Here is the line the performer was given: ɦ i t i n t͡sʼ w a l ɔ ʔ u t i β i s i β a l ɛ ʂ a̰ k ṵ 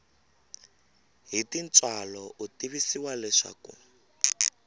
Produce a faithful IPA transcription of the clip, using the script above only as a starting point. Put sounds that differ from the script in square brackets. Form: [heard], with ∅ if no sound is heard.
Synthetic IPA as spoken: ɦ i t i n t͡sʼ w a l ɔ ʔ u t i β i s i [w] a l ɛ ʂ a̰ k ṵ